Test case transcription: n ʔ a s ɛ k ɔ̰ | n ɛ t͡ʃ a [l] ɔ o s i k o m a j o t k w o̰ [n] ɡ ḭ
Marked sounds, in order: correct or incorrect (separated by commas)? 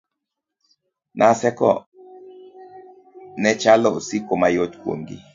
correct, incorrect